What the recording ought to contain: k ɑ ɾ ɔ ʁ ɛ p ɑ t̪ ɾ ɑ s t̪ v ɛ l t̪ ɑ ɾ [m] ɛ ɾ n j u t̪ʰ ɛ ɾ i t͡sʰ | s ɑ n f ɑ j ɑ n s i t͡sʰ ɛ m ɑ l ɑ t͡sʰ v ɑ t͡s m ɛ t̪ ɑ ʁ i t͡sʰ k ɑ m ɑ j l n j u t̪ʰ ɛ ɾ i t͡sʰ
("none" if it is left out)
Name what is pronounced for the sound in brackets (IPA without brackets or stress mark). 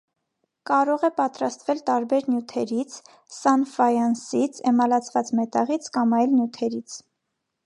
b